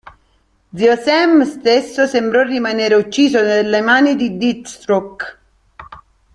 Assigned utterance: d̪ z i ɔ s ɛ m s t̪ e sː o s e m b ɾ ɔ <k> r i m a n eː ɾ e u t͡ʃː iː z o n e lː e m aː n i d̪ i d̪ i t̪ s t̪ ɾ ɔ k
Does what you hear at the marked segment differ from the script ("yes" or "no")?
yes